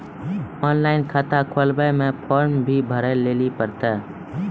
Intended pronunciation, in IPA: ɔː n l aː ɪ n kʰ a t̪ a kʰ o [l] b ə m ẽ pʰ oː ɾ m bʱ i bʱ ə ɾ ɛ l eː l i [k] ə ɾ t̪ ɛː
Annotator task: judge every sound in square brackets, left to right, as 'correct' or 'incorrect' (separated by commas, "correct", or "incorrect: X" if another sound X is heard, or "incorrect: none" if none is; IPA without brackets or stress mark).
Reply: correct, incorrect: p